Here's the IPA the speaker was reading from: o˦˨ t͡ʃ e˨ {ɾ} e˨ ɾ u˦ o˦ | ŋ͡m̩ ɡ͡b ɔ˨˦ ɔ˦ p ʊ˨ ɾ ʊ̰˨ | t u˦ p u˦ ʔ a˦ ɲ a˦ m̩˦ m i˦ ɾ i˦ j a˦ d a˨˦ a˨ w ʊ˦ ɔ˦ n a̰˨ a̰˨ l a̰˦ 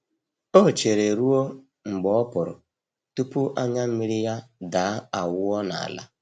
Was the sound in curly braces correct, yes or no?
yes